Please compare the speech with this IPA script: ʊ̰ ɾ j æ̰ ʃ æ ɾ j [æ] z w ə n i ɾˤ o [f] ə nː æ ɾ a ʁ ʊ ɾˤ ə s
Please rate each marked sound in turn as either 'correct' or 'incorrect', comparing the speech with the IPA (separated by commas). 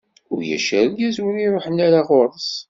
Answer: correct, incorrect